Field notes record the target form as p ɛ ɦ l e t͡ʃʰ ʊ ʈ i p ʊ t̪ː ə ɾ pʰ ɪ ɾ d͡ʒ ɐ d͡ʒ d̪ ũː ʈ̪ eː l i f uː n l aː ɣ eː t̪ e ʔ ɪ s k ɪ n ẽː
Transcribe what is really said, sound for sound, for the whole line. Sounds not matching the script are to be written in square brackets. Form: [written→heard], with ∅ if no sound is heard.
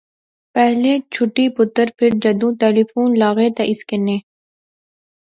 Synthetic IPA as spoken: p ɛ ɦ l e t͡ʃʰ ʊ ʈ i p ʊ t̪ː ə ɾ pʰ ɪ ɾ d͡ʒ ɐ [d͡ʒ→∅] d̪ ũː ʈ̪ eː l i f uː n l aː ɣ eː t̪ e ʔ ɪ s k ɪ n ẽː